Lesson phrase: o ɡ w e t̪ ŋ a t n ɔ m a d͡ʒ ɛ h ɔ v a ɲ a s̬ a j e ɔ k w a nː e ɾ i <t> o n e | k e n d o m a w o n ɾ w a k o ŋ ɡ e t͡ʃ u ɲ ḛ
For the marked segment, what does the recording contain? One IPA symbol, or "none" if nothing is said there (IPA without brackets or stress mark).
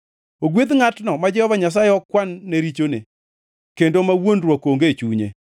t͡ʃ